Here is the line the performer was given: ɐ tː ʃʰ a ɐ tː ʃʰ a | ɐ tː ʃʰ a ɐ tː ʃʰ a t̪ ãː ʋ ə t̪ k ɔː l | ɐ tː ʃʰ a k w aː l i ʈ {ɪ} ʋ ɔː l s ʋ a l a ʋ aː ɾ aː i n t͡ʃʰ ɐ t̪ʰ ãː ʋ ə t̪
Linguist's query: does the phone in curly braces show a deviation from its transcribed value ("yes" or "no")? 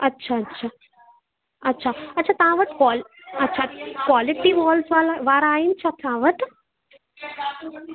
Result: yes